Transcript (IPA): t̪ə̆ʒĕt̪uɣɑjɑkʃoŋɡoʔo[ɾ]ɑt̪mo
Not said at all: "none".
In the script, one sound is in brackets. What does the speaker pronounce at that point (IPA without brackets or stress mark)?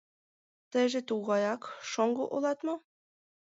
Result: l